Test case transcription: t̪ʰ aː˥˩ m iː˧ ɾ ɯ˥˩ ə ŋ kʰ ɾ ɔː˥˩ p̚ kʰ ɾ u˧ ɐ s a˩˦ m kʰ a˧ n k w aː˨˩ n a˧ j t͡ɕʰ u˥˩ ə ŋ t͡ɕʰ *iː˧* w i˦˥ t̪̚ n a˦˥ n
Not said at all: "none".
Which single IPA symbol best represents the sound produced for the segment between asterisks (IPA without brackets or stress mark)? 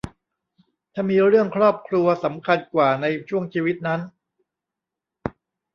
iː˧